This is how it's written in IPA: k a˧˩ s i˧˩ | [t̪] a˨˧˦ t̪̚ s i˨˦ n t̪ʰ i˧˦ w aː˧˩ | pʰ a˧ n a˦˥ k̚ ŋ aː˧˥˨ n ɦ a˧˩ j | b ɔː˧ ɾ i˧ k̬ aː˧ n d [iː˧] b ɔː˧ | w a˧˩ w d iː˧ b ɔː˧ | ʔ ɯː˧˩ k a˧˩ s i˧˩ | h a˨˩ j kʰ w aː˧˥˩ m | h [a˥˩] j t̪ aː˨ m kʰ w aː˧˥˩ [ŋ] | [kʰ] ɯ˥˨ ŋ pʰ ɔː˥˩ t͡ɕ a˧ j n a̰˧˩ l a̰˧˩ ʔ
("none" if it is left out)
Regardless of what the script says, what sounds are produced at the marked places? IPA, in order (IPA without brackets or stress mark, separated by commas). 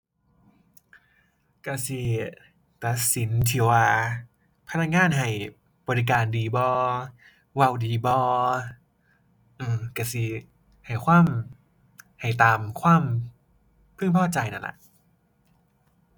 t̪, iː˧, a˨˩, m, pʰ